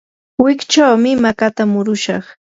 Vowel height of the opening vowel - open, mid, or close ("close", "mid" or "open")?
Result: close